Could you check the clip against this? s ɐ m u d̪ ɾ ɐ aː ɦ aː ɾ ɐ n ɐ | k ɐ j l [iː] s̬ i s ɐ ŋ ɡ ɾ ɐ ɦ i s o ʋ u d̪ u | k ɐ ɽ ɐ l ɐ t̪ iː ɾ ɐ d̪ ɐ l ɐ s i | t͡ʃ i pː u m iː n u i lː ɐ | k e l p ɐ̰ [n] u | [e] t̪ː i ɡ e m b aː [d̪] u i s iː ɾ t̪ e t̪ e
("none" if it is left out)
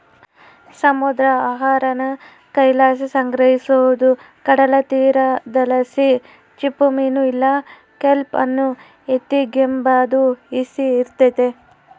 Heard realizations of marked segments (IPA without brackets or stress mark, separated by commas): aː, nː, e, d̪